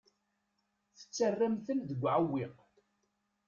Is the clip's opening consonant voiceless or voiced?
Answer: voiceless